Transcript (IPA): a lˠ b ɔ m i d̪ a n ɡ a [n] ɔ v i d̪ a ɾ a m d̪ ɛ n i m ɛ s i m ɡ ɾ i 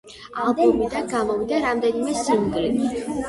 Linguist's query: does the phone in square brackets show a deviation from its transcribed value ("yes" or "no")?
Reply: yes